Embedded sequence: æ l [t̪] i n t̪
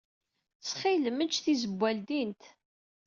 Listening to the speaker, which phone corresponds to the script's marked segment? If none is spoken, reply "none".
d̪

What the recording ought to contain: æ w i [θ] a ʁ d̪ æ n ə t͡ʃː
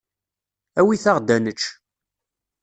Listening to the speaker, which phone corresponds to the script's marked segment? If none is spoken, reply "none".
θ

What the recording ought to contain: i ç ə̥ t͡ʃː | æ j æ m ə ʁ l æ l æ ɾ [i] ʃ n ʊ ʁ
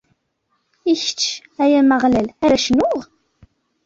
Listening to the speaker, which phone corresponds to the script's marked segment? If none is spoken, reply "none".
æ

